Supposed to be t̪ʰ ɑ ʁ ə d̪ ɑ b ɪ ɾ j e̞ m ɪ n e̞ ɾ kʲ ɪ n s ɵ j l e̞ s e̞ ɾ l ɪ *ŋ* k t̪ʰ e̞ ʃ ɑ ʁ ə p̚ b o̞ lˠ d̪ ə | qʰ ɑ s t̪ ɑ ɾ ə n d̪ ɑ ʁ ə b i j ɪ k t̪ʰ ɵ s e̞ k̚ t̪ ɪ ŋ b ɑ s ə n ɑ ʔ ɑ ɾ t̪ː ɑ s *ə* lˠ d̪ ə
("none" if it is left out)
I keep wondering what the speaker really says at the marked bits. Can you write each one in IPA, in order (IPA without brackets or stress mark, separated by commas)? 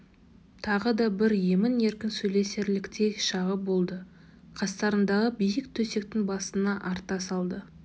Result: none, ɑ